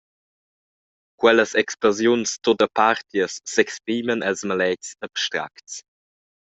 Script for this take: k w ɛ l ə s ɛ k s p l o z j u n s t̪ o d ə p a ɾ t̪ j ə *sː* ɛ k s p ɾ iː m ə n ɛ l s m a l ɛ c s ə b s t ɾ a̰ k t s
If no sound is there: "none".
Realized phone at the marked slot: sː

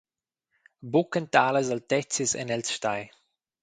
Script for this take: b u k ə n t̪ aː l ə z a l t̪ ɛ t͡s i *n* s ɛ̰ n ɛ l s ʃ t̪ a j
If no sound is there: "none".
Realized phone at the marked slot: none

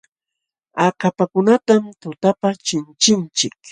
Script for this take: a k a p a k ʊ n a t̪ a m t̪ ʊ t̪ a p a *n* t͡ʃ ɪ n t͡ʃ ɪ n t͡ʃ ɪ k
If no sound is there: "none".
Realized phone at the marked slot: none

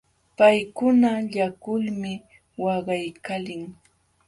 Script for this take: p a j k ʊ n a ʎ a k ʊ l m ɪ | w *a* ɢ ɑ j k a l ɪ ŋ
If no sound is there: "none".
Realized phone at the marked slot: ɑ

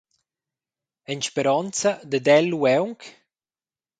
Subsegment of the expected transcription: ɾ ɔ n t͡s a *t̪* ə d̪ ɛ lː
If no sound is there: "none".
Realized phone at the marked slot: d̪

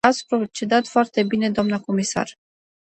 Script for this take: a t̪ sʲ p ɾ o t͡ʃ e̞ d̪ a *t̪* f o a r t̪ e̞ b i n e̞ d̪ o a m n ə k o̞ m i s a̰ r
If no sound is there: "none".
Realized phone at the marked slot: t̪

